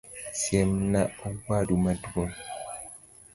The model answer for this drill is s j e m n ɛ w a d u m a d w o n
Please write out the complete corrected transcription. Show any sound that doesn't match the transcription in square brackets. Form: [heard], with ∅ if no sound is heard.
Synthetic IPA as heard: s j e m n [a] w a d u m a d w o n